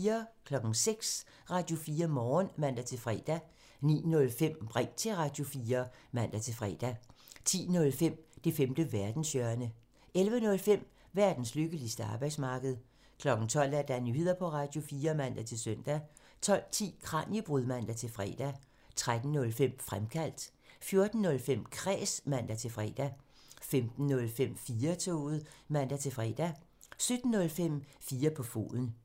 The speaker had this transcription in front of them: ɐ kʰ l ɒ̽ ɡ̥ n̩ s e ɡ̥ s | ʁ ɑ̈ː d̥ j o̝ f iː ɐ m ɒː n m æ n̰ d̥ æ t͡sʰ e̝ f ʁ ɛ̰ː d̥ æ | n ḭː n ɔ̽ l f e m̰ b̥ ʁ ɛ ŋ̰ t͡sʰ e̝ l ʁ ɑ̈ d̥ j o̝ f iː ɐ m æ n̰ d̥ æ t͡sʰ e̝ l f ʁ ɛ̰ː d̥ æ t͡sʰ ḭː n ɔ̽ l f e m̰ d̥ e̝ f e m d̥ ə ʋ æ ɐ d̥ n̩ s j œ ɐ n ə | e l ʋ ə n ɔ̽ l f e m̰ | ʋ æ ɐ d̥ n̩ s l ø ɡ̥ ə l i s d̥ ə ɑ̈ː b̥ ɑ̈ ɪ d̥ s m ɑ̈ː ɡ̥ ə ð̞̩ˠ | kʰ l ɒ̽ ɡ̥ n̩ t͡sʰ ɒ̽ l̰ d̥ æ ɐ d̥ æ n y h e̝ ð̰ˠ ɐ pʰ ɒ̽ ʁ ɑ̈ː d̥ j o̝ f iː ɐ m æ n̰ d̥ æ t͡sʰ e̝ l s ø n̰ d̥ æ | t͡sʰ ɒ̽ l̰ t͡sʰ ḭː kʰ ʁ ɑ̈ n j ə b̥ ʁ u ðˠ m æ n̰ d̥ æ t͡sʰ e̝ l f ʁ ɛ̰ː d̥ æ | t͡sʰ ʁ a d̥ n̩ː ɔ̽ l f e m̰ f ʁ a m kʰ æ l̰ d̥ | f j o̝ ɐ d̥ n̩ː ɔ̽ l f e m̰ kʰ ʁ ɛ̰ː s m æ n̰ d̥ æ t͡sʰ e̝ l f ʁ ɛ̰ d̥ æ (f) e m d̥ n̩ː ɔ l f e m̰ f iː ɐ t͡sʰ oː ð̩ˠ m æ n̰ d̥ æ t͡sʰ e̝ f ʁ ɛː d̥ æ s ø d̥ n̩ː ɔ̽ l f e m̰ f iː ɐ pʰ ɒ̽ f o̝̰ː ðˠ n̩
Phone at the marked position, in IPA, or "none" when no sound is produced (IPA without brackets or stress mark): f